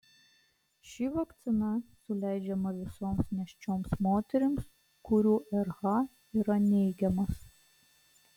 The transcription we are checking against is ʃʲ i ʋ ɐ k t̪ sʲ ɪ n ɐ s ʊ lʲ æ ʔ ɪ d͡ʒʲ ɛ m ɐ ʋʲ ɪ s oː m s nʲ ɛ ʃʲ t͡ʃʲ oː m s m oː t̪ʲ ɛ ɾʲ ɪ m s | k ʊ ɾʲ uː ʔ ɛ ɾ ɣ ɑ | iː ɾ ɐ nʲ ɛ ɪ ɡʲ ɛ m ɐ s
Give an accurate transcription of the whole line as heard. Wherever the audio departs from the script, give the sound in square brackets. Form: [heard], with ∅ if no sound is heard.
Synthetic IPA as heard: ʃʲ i ʋ ɐ k t̪ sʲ ɪ n ɐ s ʊ lʲ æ [∅] ɪ d͡ʒʲ ɛ m ɐ ʋʲ ɪ s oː m s nʲ ɛ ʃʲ t͡ʃʲ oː m s m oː t̪ʲ ɛ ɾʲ ɪ m s | k ʊ ɾʲ uː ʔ ɛ ɾ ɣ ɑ | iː ɾ ɐ nʲ ɛ ɪ ɡʲ ɛ m ɐ s